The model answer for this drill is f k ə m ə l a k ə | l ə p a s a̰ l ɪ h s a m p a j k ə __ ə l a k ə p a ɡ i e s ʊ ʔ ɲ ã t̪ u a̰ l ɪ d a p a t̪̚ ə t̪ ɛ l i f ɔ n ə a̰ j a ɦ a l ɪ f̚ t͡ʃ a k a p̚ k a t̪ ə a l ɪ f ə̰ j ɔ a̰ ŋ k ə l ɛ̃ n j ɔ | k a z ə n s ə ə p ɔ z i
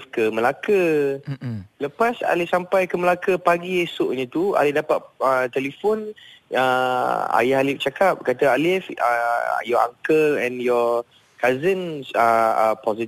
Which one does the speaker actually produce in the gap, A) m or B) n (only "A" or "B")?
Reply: A